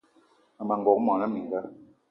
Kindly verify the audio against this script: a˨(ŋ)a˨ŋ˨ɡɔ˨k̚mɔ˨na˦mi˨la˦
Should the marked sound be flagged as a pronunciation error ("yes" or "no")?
yes